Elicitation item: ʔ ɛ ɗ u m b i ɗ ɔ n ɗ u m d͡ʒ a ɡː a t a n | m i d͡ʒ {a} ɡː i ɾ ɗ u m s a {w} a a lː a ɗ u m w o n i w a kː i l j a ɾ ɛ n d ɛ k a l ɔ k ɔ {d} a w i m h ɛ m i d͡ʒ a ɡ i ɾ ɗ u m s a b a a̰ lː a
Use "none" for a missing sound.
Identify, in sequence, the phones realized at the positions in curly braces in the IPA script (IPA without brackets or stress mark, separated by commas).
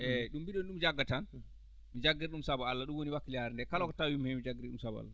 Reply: a, b, t